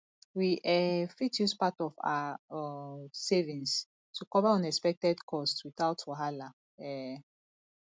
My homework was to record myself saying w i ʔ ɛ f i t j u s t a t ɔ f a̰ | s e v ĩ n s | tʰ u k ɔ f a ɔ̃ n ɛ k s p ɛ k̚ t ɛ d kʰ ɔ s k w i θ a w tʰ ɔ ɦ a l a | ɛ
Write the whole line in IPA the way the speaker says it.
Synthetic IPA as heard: w i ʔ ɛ f i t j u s p a t ɔ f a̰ | s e v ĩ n s | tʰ u k ɔ v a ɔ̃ n ɛ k s p ɛ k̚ t ɛ d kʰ ɔ s t w i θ a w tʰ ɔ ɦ a l a | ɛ